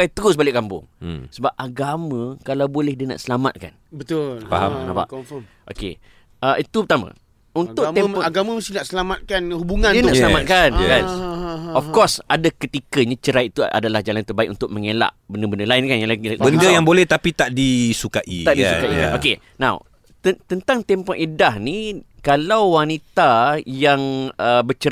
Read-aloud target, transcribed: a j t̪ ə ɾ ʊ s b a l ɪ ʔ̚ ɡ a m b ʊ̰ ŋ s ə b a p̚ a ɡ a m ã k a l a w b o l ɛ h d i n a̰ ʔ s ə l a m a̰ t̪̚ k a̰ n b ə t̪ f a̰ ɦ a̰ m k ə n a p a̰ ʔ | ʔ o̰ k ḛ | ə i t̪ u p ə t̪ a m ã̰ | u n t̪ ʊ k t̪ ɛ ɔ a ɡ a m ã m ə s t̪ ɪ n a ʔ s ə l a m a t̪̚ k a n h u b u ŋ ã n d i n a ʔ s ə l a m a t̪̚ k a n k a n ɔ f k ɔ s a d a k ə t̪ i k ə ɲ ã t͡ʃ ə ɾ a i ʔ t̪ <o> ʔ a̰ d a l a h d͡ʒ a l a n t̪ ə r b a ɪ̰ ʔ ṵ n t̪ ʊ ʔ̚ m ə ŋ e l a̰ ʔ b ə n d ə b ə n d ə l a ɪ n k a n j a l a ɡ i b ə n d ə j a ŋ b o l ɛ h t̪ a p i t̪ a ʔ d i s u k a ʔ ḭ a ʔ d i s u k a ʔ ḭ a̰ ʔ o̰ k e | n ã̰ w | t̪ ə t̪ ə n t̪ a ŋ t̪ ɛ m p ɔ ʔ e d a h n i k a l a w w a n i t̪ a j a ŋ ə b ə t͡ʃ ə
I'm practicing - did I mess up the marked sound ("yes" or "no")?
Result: yes